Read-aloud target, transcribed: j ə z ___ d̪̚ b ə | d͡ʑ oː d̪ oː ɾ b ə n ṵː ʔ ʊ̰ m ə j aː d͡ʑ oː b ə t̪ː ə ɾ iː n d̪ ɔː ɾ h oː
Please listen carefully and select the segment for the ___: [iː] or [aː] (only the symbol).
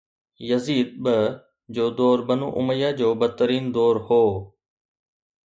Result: iː